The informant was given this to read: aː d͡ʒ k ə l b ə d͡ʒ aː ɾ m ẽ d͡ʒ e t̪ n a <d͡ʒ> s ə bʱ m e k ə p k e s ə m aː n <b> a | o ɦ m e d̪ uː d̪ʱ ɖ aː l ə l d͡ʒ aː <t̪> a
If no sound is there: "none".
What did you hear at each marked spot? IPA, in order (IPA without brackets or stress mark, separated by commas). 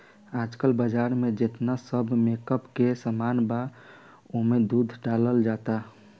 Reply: none, b, t̪